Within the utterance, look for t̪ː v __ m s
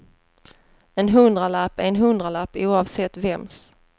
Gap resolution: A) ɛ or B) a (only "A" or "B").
A